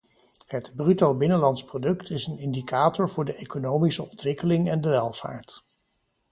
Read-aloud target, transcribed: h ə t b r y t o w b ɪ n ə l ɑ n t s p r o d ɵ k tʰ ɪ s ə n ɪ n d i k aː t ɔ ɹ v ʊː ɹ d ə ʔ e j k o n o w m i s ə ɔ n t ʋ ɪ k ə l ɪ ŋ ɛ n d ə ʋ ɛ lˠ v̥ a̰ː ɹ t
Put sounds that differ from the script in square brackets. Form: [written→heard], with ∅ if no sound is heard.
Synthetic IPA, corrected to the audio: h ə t b r y t o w b ɪ n ə l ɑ n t s p r o d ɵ k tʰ ɪ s ə n ɪ n d i k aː t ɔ ɹ v ʊː ɹ d ə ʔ e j k o n o w m i s ə ɔ n t ʋ ɪ k ə l ɪ ŋ ɛ n d ə ʋ ɛ lˠ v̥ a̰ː ɹ t